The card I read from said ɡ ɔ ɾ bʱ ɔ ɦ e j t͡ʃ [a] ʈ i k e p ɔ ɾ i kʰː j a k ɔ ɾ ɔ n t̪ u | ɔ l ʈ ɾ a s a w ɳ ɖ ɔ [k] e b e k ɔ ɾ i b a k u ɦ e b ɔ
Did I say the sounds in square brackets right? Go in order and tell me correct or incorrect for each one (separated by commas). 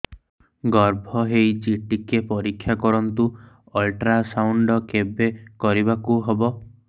incorrect, correct